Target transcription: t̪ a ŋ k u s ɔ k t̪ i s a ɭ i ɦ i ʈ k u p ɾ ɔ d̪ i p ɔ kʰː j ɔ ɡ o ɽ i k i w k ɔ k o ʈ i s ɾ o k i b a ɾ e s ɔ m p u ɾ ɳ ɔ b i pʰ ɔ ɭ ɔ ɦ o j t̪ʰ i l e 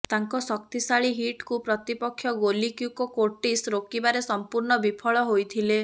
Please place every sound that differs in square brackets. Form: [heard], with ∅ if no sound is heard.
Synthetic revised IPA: t̪ a ŋ k [ɔ] s ɔ k t̪ i s a ɭ i ɦ i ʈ k u p ɾ ɔ [t̪] i p ɔ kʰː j ɔ ɡ o [l] i k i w k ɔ k o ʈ i s ɾ o k i b a ɾ e s ɔ m p u ɾ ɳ ɔ b i pʰ ɔ ɭ ɔ ɦ o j t̪ʰ i l e